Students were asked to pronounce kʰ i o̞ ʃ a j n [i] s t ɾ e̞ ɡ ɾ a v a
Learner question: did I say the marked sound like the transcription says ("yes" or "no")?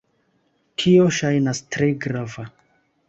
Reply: no